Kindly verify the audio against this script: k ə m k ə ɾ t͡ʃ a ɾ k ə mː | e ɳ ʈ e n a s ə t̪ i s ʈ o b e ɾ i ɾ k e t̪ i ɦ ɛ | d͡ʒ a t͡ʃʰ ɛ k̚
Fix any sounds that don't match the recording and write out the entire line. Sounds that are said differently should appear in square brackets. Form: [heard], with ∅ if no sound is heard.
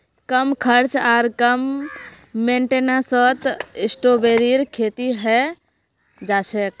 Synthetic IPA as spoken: k ə m [kʰ] ə ɾ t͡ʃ a ɾ k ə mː | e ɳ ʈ e n a s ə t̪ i s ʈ o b e ɾ i ɾ [kʰ] e t̪ i ɦ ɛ | d͡ʒ a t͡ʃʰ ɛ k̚